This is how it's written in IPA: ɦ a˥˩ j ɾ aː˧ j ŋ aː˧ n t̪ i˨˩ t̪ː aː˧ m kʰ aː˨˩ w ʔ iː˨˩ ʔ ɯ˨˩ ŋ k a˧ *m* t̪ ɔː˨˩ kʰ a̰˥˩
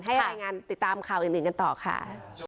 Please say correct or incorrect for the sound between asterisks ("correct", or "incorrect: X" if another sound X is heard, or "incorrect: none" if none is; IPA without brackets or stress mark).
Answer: incorrect: n